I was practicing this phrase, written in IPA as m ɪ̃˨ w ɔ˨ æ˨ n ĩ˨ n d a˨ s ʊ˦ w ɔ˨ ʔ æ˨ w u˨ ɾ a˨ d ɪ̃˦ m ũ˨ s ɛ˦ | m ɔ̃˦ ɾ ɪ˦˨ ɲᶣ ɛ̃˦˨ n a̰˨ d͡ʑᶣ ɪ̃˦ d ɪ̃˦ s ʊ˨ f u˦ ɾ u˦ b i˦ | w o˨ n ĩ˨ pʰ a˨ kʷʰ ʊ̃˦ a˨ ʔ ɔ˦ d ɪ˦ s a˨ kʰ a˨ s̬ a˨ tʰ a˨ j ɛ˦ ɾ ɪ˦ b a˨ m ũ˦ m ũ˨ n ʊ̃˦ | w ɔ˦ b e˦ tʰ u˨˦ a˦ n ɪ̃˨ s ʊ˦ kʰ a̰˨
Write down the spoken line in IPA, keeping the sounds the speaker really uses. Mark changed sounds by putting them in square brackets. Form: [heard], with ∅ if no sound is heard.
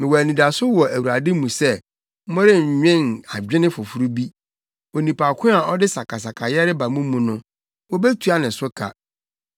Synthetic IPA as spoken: m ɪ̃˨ w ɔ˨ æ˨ n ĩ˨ [∅] d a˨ s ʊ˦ w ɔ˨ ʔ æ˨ w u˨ ɾ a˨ d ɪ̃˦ m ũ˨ s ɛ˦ | m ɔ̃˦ ɾ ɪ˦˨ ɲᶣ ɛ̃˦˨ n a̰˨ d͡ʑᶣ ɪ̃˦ [n] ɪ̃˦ [f] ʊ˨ f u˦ ɾ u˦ b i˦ | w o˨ n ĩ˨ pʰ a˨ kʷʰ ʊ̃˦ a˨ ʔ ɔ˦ d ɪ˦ s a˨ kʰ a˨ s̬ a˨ [kʰ] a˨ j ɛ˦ ɾ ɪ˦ b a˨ m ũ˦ m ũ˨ n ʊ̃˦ | w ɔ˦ b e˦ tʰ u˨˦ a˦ n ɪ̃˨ s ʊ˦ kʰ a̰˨